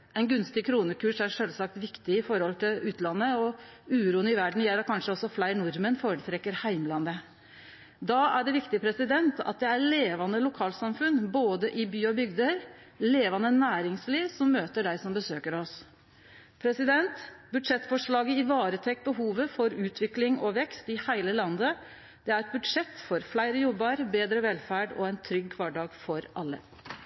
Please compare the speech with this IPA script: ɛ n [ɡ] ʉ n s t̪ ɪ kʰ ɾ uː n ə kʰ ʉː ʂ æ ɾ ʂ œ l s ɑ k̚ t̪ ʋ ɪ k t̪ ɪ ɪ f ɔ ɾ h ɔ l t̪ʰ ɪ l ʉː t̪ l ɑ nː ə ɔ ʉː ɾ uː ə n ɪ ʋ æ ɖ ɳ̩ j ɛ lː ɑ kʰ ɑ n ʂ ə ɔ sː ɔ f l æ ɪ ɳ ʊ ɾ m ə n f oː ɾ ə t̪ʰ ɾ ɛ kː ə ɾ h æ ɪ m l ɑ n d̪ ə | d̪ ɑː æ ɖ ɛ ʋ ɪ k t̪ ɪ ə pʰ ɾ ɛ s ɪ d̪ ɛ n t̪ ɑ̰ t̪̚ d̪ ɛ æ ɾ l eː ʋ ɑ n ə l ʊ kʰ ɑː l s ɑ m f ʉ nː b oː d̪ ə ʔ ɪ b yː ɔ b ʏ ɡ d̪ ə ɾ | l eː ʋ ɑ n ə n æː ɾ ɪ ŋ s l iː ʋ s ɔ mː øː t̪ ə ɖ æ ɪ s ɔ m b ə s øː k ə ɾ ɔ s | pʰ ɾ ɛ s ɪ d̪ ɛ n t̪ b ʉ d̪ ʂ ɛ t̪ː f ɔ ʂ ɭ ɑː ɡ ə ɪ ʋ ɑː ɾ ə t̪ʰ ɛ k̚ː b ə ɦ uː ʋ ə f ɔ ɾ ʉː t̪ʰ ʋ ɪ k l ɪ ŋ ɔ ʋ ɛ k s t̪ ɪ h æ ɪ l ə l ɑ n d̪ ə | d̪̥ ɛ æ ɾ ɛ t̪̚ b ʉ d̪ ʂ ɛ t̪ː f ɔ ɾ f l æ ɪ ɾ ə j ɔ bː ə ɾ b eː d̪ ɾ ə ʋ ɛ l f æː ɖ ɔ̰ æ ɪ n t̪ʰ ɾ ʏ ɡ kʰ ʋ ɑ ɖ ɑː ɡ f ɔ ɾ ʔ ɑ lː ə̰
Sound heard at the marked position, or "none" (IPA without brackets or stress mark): ɡ